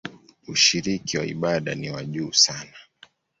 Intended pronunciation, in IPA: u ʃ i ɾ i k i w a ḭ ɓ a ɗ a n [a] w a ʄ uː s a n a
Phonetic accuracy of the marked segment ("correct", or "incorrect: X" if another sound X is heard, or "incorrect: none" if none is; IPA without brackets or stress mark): incorrect: i